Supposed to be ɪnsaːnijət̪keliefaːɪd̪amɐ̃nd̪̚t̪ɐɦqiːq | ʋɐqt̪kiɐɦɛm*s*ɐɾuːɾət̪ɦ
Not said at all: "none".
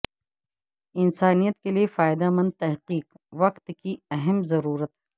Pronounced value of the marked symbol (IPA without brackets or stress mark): z